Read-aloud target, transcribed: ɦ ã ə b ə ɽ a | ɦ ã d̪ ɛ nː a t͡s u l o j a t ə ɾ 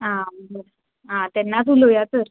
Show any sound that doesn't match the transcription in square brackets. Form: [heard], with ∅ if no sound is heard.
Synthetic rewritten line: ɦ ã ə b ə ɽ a | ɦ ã [t̪] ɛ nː a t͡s u l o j a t ə ɾ